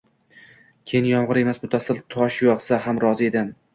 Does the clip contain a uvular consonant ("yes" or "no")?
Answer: yes